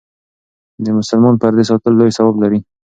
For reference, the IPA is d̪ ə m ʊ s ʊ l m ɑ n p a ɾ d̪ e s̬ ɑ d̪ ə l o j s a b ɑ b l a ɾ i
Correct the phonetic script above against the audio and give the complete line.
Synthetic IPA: d̪ ə m ʊ s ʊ l m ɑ n p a ɾ d̪ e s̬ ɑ t̪ ə lː o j s a w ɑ b l a ɾ i